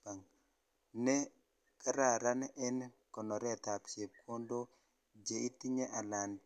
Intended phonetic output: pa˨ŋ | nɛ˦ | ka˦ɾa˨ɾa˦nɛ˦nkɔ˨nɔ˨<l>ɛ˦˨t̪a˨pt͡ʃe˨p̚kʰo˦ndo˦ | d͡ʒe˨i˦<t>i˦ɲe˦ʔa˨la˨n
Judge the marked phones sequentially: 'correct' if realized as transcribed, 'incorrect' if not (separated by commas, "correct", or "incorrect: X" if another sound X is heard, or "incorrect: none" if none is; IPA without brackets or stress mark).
incorrect: ɾ, correct